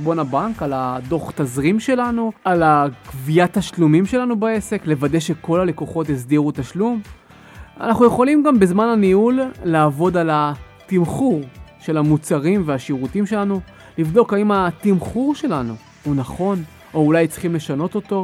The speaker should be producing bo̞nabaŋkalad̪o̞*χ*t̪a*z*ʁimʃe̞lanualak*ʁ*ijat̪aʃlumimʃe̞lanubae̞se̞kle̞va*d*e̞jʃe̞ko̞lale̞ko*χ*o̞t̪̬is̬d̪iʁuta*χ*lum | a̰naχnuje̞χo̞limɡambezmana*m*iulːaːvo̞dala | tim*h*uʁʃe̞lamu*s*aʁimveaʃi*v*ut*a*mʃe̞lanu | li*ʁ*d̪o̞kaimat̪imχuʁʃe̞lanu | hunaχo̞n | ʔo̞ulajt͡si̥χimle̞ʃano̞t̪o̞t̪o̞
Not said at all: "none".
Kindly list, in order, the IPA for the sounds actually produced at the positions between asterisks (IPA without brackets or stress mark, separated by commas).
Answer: χ, z, v, d, χ, ʃ, n, χ, t͡s, ʁ, i, v